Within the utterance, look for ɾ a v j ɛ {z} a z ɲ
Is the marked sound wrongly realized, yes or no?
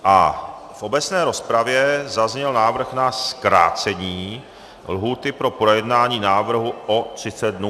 no